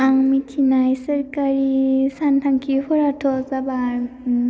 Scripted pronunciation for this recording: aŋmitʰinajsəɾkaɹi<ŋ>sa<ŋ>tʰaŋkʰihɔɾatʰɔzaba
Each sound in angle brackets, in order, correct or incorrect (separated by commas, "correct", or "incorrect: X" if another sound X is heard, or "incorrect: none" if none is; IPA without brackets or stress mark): incorrect: none, incorrect: n